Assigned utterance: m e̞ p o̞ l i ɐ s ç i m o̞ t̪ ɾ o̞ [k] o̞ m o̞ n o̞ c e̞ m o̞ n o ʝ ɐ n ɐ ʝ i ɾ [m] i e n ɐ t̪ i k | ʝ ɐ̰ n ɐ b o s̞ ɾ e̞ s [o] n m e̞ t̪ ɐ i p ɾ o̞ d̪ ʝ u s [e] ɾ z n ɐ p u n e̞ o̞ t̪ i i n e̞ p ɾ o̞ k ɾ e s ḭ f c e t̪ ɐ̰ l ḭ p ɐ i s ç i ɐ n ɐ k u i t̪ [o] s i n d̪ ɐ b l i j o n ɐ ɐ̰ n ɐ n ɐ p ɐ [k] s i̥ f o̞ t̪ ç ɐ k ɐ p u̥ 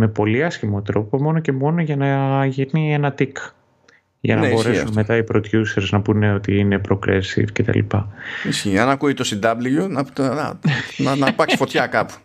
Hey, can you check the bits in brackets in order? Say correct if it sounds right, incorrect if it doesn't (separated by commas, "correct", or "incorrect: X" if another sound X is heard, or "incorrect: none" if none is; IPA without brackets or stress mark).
incorrect: p, incorrect: n, incorrect: u, correct, correct, correct